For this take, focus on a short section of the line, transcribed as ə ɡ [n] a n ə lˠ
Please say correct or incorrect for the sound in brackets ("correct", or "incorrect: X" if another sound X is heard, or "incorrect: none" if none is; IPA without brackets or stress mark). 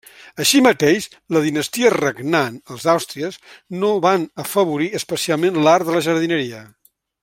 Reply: correct